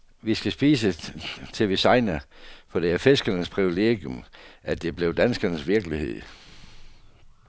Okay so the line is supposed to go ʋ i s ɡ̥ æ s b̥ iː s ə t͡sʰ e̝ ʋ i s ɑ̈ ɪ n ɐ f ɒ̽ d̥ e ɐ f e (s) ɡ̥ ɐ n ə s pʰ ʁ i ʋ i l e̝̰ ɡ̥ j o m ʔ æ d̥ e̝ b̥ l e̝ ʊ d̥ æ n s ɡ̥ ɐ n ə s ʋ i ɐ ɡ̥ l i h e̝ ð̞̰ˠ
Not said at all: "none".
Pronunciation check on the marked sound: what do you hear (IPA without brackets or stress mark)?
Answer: s